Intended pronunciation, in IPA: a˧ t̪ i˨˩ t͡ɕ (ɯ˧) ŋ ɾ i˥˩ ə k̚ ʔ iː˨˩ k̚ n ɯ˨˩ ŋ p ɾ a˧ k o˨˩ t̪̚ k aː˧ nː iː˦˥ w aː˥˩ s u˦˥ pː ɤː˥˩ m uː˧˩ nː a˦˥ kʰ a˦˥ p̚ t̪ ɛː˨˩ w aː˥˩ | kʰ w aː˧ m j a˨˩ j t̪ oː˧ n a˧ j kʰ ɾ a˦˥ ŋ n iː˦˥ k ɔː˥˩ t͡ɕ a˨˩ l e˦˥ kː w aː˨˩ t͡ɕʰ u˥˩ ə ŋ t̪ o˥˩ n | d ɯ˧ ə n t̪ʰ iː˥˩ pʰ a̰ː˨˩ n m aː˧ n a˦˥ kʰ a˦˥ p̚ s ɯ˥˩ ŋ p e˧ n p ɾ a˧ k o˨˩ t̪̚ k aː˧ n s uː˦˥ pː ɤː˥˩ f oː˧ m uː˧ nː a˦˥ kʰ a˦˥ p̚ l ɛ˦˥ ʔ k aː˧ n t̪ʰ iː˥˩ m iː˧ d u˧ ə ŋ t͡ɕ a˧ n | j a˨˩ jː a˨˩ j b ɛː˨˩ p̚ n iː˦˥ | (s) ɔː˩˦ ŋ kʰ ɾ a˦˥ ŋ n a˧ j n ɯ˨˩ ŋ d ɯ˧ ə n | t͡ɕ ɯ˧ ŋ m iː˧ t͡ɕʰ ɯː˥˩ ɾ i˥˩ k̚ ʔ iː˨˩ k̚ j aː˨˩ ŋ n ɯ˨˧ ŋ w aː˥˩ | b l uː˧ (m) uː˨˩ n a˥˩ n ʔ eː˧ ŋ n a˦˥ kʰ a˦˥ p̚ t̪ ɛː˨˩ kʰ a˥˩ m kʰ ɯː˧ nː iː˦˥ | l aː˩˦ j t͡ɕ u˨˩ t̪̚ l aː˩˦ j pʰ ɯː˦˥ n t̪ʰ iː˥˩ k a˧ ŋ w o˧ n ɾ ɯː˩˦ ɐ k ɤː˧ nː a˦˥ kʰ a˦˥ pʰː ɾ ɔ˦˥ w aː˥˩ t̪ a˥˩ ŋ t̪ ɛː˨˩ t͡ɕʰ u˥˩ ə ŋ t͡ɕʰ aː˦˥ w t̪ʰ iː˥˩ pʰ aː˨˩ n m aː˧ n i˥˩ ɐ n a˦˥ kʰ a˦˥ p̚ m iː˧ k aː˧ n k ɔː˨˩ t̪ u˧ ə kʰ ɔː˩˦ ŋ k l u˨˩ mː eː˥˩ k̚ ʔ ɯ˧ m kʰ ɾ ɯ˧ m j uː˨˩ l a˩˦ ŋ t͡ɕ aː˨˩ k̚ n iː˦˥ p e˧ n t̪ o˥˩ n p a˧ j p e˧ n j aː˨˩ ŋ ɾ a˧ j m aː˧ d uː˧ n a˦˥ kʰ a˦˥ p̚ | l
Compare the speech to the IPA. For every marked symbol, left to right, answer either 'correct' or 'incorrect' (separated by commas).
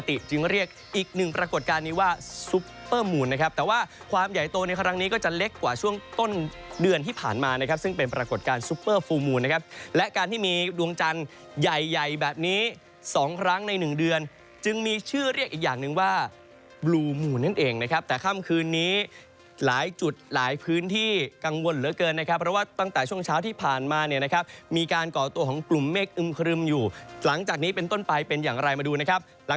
correct, correct, correct